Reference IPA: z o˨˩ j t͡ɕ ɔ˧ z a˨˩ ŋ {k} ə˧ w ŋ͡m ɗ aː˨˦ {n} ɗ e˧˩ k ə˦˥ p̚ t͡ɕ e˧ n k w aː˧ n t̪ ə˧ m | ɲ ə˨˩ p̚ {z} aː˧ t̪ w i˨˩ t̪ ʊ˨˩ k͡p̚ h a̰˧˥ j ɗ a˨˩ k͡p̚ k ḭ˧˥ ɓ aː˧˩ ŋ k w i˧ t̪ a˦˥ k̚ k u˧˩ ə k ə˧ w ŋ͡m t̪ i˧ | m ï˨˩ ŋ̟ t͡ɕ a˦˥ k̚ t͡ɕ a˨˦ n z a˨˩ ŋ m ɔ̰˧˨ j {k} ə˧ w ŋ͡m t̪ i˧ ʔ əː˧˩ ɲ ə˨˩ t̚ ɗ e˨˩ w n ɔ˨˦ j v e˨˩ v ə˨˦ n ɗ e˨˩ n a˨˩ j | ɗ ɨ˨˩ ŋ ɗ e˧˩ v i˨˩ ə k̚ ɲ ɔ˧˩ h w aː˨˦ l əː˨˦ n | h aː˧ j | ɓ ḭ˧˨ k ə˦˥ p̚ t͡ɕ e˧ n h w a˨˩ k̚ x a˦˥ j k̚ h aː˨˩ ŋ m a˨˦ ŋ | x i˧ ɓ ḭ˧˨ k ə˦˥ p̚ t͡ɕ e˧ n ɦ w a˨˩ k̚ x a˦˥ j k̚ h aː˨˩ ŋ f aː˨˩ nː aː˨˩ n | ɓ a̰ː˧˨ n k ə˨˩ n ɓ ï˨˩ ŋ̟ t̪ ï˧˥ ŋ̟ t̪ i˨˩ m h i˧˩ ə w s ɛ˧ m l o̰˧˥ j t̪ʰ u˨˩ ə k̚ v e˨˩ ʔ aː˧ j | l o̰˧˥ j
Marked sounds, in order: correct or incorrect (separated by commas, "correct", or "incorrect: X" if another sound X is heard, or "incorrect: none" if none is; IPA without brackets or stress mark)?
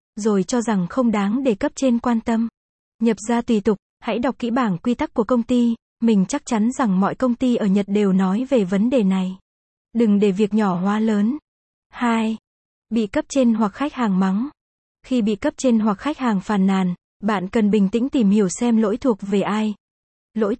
incorrect: x, incorrect: ŋ, correct, correct